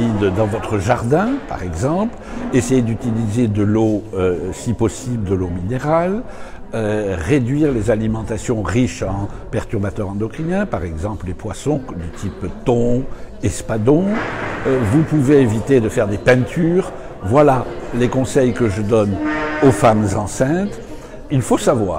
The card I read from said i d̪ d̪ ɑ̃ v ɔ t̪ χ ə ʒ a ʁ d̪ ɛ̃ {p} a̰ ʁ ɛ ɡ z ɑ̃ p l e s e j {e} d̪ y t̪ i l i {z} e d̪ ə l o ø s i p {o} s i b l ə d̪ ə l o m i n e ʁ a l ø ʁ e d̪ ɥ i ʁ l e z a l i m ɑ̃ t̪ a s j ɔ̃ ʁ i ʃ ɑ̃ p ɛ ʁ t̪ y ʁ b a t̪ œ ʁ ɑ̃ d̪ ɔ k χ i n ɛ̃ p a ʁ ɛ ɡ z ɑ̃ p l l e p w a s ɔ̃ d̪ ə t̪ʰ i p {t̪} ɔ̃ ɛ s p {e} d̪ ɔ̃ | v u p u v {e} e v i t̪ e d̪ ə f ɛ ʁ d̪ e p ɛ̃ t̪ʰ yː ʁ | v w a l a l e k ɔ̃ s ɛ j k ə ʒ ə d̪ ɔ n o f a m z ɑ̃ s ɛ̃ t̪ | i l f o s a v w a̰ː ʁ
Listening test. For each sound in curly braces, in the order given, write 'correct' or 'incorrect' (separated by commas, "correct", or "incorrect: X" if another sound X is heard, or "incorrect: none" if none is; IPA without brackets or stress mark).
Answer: correct, correct, correct, incorrect: ɔ, correct, incorrect: a, correct